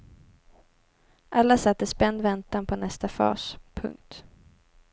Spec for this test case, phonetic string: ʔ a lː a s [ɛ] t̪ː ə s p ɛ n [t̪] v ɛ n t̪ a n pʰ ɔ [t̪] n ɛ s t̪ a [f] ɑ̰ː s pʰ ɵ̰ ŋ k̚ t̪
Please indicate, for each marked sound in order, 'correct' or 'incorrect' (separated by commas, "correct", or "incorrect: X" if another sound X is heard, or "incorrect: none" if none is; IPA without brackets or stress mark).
incorrect: a, incorrect: d̪, incorrect: none, correct